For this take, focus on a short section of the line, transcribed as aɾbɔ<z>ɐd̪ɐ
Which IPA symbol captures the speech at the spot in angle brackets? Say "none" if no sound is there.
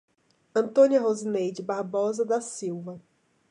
z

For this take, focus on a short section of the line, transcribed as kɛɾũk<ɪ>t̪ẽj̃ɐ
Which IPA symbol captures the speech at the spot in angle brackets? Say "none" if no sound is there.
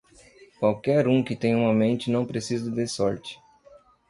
ɪ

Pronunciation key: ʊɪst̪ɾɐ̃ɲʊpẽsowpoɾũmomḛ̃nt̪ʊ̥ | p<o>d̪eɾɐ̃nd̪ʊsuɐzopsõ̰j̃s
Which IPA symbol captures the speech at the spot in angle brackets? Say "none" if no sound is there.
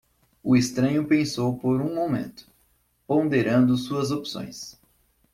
õ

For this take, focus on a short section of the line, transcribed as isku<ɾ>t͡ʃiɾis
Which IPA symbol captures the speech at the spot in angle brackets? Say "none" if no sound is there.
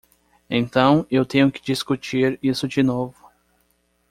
none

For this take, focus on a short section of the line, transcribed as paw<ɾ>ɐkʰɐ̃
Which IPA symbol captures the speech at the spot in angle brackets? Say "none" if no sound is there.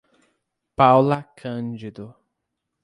l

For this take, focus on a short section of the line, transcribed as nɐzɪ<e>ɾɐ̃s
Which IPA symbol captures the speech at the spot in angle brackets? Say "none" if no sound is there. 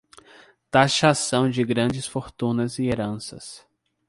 e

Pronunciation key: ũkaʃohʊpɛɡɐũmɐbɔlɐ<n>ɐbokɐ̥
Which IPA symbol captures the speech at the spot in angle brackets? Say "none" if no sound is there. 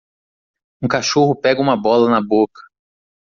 n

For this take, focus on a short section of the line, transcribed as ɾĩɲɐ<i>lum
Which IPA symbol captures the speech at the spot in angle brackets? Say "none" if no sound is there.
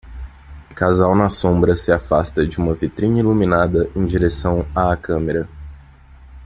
i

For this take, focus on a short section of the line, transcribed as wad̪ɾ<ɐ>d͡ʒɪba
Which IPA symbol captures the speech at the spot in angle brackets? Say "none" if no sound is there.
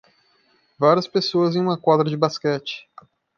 ɐ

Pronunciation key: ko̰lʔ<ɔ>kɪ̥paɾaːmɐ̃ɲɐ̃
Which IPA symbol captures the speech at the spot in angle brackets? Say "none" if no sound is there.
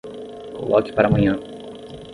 ɔ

